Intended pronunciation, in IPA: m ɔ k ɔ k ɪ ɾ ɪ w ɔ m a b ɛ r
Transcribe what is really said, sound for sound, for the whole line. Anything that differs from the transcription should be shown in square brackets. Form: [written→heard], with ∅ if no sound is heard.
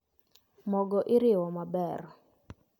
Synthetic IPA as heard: m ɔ [k→ɡ] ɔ [k→ʔ] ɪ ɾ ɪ w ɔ m a b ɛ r